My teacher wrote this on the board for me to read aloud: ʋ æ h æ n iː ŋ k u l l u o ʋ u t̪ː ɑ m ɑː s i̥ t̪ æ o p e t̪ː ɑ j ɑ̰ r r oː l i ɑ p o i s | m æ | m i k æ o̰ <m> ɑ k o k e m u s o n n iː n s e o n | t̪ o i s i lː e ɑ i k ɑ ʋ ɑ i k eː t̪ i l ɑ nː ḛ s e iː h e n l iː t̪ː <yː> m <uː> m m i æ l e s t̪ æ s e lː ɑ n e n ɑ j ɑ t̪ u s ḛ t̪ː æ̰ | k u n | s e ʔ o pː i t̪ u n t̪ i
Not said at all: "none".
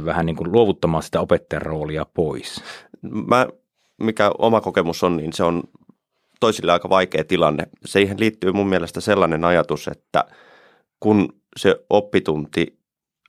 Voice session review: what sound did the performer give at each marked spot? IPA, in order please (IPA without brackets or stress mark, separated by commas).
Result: m, yː, u